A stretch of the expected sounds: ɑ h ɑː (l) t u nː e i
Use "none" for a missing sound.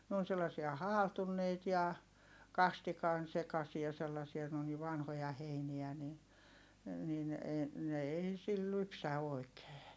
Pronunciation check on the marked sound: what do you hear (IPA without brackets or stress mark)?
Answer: l